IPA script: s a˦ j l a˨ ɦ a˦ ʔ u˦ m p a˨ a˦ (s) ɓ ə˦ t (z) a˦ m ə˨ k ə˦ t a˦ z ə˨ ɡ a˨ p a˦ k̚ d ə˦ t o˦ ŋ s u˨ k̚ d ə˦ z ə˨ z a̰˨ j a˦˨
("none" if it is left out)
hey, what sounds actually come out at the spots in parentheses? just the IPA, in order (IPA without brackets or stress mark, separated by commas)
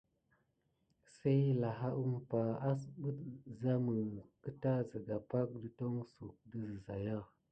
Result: s, z